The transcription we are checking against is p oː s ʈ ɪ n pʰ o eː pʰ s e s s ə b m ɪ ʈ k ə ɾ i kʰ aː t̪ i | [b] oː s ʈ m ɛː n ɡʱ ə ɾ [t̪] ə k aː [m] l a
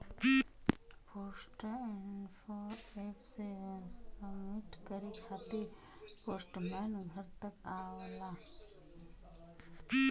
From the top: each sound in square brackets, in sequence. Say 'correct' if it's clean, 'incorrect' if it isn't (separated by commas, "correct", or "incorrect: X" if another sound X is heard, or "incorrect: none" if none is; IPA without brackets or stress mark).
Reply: incorrect: p, correct, incorrect: none